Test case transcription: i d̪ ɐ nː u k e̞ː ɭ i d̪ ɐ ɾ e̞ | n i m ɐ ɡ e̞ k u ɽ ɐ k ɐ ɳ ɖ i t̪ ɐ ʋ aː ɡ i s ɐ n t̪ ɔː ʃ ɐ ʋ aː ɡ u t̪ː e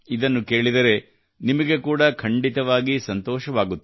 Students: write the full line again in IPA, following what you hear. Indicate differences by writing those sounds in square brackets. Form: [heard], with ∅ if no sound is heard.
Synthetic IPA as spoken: i d̪ ɐ nː u k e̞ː ɭ i d̪ ɐ ɾ e̞ | n i m ɐ ɡ e̞ k [uː] ɽ ɐ [kʰ] ɐ ɳ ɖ i t̪ ɐ ʋ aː ɡ i s ɐ n t̪ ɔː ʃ ɐ ʋ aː ɡ u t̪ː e

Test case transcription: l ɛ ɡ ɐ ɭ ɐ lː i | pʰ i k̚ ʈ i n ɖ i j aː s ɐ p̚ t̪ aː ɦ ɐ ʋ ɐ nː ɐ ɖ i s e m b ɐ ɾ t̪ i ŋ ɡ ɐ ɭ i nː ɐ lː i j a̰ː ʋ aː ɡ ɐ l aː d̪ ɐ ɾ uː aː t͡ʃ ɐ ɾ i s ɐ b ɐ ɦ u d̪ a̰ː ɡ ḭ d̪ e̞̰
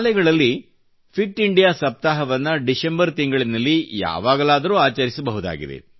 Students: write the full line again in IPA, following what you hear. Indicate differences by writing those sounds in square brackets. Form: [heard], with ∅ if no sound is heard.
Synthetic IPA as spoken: l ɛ ɡ ɐ ɭ ɐ lː i | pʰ i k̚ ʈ i [ɳ] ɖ i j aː s ɐ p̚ t̪ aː ɦ ɐ ʋ ɐ nː ɐ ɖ i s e m b ɐ ɾ t̪ i ŋ ɡ ɐ ɭ i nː ɐ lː i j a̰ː ʋ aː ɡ ɐ l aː d̪ ɐ ɾ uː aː t͡ʃ ɐ ɾ i s ɐ b ɐ ɦ u d̪ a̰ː ɡ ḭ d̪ e̞̰

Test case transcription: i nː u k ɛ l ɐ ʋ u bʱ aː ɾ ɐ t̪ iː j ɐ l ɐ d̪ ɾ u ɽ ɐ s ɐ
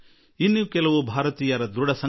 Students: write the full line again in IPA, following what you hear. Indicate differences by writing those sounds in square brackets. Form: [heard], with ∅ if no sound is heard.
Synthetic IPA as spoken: i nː u k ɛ l ɐ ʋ u bʱ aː ɾ ɐ t̪ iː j ɐ [ɾ] ɐ d̪ ɾ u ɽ ɐ s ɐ

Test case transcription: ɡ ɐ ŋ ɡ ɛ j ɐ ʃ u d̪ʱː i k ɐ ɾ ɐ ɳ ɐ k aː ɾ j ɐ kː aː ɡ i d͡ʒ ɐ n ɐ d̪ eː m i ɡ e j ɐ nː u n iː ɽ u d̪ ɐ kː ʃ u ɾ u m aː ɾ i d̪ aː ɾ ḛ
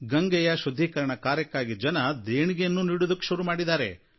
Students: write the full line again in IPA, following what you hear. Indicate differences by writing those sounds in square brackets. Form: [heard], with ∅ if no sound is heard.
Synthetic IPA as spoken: ɡ ɐ ŋ ɡ ɛ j ɐ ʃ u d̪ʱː i k ɐ ɾ ɐ ɳ ɐ k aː ɾ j ɐ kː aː ɡ i d͡ʒ ɐ n ɐ d̪ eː [ɳ] i ɡ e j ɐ nː u n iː ɽ u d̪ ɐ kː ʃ u ɾ u m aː [ɽ] i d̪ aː ɾ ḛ

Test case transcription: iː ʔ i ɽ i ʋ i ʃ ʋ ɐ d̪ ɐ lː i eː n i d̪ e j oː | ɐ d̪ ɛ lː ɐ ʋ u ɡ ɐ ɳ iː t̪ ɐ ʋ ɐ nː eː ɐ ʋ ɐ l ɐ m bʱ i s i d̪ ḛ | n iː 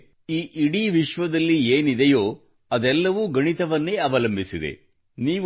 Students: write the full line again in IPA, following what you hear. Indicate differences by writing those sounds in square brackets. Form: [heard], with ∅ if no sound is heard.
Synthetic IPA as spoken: iː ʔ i ɽ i ʋ i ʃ ʋ ɐ d̪ ɐ lː i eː n i d̪ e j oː | ɐ d̪ ɛ lː ɐ ʋ u ɡ ɐ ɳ [i] t̪ ɐ ʋ ɐ nː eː ɐ ʋ ɐ l ɐ m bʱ i s i d̪ ḛ | n iː

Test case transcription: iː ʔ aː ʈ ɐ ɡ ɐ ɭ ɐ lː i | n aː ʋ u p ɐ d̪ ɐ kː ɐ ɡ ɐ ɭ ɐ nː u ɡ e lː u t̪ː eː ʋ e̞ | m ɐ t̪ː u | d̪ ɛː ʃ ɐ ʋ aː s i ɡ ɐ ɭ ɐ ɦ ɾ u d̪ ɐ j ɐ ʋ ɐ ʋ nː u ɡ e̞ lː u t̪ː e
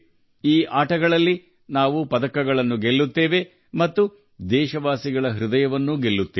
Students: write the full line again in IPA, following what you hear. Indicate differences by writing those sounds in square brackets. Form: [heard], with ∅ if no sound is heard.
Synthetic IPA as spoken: iː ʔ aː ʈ ɐ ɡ ɐ ɭ ɐ lː i | n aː ʋ u p ɐ d̪ ɐ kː ɐ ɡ ɐ ɭ ɐ nː u ɡ e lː u t̪ː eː ʋ e̞ | m ɐ t̪ː u | d̪ ɛː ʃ ɐ ʋ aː s i ɡ ɐ ɭ ɐ ɦ ɾ u d̪ ɐ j ɐ ʋ ɐ [∅] nː u ɡ e̞ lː u t̪ː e

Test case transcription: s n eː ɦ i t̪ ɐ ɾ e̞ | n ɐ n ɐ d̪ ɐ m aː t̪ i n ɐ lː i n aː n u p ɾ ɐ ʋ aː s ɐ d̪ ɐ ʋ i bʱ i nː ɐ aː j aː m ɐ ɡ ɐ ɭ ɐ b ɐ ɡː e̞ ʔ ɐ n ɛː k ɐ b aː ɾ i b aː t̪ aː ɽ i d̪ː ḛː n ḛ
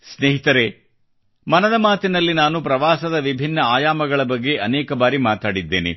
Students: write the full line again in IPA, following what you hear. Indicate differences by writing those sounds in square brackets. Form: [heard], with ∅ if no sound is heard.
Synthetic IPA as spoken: s n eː ɦ i t̪ ɐ ɾ e̞ | [m] ɐ n ɐ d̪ ɐ m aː t̪ i n ɐ lː i n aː n u p ɾ ɐ ʋ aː s ɐ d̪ ɐ ʋ i bʱ i nː ɐ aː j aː m ɐ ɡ ɐ ɭ ɐ b ɐ ɡː e̞ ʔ ɐ n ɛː k ɐ b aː ɾ i [m] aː t̪ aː ɽ i d̪ː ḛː n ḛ

